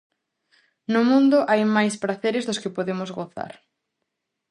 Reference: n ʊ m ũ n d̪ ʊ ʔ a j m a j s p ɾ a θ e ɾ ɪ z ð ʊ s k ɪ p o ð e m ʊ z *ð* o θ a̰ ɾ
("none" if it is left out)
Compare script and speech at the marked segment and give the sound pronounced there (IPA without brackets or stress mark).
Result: ɣ